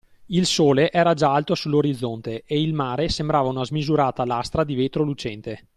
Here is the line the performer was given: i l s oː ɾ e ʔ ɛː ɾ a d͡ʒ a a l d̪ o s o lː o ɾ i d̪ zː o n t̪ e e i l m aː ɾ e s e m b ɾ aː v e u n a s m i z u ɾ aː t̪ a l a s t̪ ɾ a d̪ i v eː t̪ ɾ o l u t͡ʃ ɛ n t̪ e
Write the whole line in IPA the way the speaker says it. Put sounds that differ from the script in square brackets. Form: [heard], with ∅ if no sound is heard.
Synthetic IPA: i l s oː [l] e ʔ ɛː ɾ a d͡ʒ a a l [t̪] o s [u] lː o ɾ i d̪ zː o n t̪ e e i l m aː ɾ e s e m b ɾ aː v [a] u n a [z] m i z u ɾ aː t̪ a l a s t̪ ɾ a d̪ i v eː t̪ ɾ o l u t͡ʃ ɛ n t̪ e